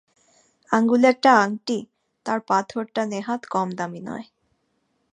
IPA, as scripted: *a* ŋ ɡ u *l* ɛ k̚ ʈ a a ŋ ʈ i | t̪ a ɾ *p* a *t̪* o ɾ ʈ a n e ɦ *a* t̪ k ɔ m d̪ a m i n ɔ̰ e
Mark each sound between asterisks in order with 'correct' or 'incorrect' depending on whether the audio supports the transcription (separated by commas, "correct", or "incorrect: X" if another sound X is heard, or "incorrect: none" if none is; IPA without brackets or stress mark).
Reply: correct, correct, correct, incorrect: t̪ʰ, correct